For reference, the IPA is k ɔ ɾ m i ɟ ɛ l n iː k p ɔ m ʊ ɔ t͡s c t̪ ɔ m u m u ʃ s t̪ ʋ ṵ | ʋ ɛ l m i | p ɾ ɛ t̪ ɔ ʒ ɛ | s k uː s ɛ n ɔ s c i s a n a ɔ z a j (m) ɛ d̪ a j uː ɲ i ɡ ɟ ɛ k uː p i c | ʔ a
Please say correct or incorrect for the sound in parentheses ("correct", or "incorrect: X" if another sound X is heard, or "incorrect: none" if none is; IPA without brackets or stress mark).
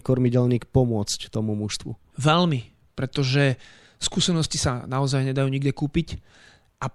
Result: incorrect: ɲ